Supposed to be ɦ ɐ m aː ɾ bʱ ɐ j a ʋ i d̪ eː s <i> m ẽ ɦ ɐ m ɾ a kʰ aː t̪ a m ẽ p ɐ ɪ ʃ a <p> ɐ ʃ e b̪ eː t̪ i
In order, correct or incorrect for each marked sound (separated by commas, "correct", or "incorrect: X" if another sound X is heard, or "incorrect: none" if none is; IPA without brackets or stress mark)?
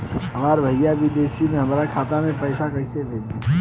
correct, incorrect: k